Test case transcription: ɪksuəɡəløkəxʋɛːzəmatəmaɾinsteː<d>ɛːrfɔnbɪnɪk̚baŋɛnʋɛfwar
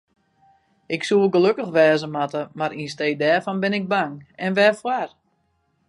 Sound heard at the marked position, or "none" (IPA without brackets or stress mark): d